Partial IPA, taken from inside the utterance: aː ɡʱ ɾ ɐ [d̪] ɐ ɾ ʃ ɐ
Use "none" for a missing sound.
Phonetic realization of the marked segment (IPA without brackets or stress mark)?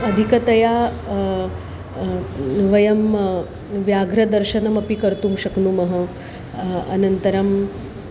d̪